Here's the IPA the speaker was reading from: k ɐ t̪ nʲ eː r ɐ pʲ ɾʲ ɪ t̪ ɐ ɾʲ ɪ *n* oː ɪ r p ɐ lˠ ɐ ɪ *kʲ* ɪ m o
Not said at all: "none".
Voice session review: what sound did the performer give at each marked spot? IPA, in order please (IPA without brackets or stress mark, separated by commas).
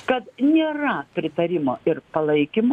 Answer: m, kʲ